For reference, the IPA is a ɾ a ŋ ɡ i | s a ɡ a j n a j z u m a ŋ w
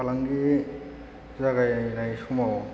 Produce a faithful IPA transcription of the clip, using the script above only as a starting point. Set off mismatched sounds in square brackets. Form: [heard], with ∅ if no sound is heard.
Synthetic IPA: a [l] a ŋ ɡ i | [z] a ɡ a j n a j [s] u m a [∅] w